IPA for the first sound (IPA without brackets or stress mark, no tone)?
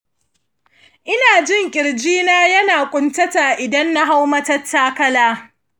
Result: ʔ